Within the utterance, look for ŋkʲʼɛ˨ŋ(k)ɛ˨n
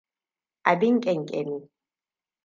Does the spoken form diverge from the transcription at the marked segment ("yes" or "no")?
yes